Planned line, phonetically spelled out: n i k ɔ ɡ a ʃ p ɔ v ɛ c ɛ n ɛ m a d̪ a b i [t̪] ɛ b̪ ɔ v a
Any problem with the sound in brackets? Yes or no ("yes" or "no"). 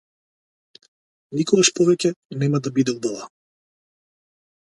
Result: yes